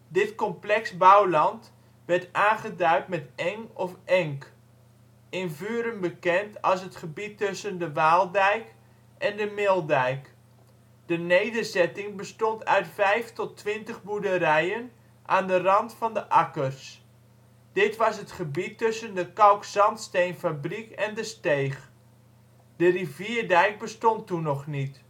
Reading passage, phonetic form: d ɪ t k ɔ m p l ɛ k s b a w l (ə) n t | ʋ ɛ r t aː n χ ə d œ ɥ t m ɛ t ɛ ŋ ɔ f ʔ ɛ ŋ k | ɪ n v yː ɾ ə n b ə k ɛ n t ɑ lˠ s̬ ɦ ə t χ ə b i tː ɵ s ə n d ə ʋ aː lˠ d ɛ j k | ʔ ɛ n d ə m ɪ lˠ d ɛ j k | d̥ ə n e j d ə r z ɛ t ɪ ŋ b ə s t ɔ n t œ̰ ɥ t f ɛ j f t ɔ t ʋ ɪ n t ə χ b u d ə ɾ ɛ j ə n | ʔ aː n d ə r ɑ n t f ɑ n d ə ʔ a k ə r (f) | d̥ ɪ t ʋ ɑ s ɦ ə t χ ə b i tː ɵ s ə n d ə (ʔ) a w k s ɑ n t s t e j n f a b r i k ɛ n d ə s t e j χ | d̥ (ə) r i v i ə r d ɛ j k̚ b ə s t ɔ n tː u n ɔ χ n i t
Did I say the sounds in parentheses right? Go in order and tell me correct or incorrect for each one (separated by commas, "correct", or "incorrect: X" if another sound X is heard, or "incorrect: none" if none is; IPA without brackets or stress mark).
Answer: incorrect: ɑ, incorrect: s, incorrect: k, correct